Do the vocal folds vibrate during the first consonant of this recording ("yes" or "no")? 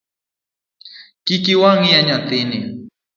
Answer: no